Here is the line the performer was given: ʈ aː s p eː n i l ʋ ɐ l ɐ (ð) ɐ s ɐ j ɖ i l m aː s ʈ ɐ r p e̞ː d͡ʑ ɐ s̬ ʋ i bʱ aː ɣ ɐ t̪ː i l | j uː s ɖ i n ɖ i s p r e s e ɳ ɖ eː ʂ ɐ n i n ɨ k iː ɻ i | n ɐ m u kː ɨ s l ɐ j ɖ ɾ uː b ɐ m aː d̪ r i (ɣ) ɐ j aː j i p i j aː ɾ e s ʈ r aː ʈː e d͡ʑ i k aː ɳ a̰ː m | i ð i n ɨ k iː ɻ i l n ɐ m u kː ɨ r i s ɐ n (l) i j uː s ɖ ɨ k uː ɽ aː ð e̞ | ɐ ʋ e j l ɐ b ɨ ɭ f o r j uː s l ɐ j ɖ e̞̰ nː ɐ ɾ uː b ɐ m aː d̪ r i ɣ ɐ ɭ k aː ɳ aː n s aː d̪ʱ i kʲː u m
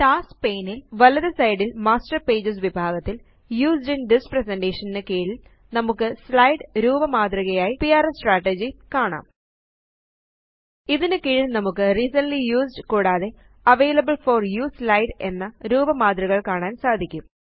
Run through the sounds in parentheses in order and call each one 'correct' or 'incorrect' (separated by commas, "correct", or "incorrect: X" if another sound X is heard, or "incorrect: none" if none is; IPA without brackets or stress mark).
correct, correct, correct